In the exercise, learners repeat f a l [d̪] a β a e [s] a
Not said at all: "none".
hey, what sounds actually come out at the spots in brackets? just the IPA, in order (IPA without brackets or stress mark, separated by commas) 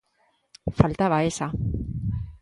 t̪, s